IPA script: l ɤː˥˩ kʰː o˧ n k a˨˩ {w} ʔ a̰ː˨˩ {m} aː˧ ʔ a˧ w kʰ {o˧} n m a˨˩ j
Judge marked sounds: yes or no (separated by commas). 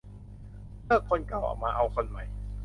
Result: yes, yes, yes